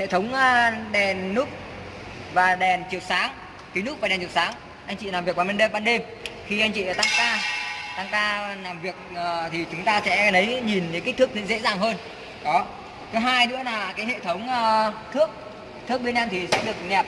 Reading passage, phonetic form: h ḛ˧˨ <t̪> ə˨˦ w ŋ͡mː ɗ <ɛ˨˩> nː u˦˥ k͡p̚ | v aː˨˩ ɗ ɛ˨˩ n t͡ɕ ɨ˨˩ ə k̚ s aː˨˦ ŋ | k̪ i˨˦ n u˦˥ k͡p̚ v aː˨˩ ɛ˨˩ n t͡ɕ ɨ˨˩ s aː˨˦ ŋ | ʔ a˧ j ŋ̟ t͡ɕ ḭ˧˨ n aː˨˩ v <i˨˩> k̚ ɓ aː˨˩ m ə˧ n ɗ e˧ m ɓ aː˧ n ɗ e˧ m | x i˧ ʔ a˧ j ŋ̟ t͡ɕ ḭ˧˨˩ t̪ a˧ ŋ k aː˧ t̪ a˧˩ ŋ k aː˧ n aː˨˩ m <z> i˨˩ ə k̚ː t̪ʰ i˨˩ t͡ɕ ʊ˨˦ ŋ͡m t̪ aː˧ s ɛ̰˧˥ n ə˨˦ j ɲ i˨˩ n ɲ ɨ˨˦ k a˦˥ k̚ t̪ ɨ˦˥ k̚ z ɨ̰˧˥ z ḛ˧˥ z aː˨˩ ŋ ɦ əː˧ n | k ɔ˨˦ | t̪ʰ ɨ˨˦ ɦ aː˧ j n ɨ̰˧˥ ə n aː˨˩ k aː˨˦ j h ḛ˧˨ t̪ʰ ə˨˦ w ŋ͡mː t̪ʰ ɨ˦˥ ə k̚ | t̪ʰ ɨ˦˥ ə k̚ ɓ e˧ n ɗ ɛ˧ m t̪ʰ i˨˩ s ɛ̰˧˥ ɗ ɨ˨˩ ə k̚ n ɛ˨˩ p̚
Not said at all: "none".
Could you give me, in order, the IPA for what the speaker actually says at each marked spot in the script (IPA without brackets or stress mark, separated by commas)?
t̪ʰ, ɛ˨˩, i˨˩, v